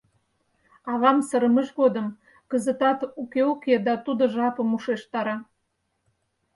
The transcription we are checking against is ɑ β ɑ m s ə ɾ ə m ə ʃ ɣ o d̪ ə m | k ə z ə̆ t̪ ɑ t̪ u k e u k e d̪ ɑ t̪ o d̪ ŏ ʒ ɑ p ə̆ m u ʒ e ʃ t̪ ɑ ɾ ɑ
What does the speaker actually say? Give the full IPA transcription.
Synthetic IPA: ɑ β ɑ m s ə ɾ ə m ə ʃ ɣ o d̪ ə m | k ə z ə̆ t̪ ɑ t̪ u k e u k e d̪ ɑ t̪ u d̪ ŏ ʒ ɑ p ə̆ m u ʃ e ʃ t̪ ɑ ɾ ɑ